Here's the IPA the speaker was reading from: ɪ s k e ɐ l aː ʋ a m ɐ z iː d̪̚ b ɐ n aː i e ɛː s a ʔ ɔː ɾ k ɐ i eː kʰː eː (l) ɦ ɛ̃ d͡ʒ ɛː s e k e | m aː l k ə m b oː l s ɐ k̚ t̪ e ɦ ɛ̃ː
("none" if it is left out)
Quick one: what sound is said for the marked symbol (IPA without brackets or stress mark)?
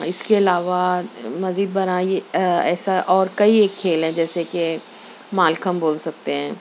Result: l